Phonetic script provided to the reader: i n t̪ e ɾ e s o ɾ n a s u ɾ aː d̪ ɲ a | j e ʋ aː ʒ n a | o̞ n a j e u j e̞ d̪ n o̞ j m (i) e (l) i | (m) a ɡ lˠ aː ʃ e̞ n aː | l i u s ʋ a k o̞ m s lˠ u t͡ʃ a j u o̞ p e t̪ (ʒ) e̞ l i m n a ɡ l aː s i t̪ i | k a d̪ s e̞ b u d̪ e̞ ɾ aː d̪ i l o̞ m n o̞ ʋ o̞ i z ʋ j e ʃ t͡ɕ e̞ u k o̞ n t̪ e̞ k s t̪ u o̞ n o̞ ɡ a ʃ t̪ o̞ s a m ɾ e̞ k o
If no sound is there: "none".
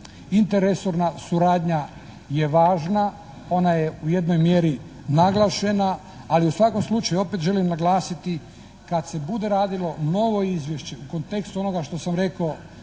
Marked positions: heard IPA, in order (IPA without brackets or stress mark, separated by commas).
j, ɾ, n, ʒ